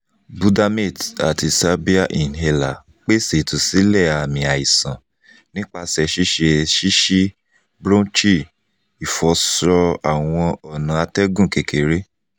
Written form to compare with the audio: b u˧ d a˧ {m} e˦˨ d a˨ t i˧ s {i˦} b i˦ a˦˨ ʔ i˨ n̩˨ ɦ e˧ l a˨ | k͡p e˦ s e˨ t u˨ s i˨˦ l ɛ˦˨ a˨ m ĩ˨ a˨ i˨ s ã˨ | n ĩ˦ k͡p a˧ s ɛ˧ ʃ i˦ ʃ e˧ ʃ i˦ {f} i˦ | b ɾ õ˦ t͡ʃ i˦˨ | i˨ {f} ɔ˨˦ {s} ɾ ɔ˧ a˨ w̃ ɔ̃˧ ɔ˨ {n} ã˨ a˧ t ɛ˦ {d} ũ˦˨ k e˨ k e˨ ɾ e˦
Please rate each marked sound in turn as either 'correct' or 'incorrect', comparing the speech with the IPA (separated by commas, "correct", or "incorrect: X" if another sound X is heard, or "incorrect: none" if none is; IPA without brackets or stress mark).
correct, incorrect: a˦, incorrect: ʃ, correct, correct, correct, incorrect: ɡ